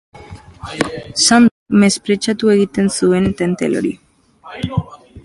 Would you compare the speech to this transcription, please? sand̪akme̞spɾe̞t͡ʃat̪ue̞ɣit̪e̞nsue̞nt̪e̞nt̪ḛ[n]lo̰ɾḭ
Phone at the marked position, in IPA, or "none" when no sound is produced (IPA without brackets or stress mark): none